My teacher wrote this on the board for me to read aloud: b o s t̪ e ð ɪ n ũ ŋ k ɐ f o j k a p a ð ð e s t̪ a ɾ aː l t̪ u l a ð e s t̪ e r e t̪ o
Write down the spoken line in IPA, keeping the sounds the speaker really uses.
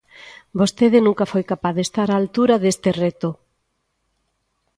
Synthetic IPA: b o s t̪ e ð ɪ n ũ ŋ k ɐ f o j k a p a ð ð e s t̪ a ɾ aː l t̪ u ɾ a ð e s t̪ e r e t̪ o